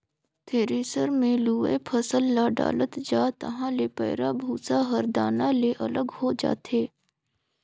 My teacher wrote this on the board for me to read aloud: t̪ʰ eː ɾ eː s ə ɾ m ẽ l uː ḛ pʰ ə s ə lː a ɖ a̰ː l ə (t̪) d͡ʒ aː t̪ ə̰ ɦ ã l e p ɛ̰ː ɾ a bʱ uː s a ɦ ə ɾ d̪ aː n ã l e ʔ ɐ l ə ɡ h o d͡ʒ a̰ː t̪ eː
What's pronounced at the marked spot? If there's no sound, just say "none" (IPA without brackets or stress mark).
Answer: t̪